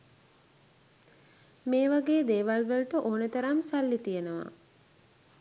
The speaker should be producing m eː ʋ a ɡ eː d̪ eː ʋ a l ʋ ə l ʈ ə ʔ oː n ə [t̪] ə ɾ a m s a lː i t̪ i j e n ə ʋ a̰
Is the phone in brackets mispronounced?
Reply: no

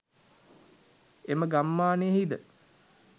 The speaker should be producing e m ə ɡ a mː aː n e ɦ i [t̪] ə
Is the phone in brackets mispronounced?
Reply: yes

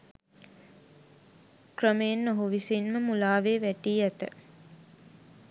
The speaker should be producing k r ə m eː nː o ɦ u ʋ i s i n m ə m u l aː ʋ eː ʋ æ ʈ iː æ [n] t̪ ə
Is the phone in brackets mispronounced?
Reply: yes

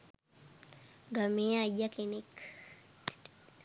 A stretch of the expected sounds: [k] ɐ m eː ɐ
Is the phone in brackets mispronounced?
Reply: yes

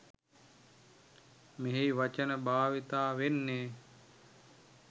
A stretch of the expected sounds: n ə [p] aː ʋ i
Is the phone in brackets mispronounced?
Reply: yes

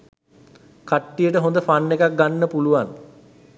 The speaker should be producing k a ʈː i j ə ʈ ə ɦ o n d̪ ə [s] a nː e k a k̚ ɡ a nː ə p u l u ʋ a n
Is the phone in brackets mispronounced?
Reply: yes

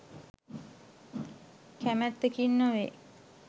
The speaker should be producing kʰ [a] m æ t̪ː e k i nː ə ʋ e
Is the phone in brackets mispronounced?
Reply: yes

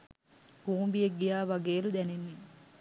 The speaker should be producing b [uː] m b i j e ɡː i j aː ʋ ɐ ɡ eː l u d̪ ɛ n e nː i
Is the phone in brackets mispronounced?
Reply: no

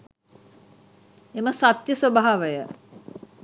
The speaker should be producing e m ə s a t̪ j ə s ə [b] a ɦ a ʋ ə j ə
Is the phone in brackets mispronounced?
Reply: no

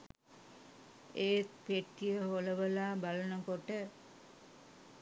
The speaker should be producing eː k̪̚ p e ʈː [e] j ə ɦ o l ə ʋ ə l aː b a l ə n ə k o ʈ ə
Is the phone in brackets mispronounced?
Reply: yes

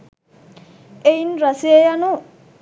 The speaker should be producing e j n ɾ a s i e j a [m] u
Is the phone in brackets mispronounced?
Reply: yes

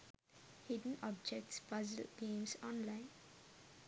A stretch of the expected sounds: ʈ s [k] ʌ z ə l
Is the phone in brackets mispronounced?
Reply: yes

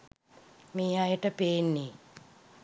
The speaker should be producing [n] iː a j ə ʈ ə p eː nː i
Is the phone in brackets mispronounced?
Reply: yes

